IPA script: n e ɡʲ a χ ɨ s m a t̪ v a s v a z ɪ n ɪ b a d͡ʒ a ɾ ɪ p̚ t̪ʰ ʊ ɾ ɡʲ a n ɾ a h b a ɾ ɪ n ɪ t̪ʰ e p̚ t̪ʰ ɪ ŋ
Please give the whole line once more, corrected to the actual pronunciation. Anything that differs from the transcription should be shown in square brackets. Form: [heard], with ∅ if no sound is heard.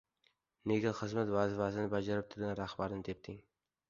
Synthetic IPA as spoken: n e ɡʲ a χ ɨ [z] m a t̪ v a [z] v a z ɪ n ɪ b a d͡ʒ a ɾ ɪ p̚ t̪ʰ ʊ ɾ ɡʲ a n ɾ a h b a ɾ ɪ n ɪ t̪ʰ e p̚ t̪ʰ ɪ ŋ